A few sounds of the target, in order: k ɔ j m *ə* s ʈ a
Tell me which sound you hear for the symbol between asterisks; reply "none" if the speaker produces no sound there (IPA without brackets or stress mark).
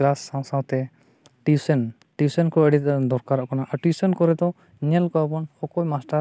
a